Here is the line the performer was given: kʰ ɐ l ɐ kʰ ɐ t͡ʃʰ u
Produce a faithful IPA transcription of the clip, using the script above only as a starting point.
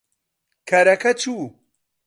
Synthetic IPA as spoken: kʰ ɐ ɾ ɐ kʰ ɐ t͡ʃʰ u